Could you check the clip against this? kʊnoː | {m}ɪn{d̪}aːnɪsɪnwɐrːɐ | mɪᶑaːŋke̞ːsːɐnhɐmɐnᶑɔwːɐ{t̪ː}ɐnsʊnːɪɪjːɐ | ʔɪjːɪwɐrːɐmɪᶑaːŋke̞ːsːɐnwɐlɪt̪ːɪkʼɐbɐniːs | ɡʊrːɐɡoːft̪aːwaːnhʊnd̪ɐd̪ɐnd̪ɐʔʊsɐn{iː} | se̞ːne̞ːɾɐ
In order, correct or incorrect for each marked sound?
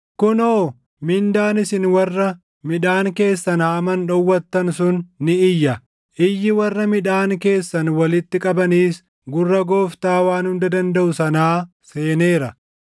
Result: correct, correct, correct, incorrect

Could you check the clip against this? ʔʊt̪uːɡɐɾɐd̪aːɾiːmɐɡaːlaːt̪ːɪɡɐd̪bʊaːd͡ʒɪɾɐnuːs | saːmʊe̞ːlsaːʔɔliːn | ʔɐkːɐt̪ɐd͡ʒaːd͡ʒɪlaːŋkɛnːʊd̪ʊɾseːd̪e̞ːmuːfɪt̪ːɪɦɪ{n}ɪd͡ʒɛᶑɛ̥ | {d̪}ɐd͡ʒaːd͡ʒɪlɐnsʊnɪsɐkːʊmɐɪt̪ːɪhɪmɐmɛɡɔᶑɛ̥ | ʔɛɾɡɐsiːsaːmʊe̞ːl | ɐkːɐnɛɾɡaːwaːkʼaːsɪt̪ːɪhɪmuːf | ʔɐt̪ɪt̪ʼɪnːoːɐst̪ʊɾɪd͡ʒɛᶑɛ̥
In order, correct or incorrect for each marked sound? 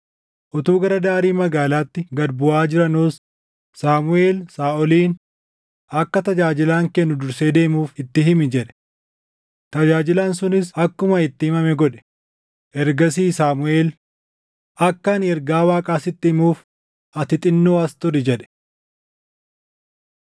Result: incorrect, incorrect

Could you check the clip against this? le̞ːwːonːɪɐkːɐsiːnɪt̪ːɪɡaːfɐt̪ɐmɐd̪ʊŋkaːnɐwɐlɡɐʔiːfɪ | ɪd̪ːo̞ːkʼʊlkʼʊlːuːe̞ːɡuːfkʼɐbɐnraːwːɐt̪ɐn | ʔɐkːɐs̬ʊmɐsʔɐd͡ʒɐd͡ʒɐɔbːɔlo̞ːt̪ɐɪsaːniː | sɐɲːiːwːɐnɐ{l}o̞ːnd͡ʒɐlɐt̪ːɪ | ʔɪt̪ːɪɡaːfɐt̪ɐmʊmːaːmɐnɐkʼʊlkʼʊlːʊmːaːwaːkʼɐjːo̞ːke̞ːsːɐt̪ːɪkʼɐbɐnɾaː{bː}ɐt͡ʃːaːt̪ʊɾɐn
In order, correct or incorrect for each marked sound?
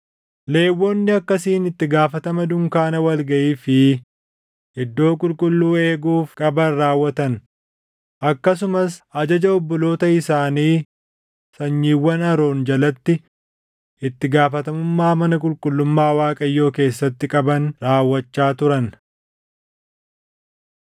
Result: incorrect, incorrect

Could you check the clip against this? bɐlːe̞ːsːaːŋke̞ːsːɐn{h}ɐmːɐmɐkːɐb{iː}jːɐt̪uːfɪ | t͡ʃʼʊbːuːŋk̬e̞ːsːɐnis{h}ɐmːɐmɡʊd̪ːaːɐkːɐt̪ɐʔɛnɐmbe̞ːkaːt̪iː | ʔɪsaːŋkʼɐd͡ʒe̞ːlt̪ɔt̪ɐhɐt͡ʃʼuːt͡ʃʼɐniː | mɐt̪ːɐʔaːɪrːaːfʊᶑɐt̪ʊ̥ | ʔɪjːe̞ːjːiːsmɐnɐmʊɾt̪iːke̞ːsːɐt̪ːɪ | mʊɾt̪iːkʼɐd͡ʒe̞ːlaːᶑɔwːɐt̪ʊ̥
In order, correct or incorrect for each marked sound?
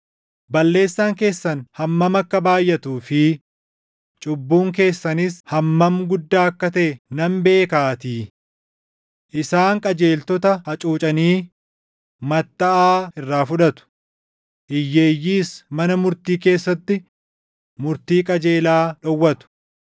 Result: correct, incorrect, correct

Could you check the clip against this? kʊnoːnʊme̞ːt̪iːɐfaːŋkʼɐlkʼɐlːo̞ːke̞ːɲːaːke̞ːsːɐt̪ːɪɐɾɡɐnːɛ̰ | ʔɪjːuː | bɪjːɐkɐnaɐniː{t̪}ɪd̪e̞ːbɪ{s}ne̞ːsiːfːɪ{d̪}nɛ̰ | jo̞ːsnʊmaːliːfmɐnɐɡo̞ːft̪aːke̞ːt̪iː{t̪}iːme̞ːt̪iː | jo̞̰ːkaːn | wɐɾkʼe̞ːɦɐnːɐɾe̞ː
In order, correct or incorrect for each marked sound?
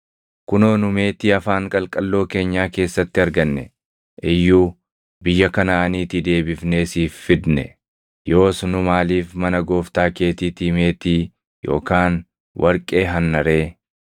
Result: correct, incorrect, correct, correct

